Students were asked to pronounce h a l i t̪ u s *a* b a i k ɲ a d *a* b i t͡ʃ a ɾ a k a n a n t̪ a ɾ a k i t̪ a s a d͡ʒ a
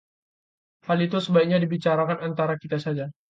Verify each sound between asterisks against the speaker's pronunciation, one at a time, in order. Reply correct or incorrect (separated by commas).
incorrect, incorrect